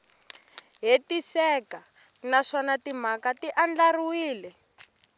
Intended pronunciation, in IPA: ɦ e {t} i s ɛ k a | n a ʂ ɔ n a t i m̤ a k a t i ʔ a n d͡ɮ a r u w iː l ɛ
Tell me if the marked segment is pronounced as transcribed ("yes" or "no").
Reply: yes